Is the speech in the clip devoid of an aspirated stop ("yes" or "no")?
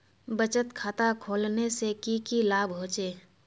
no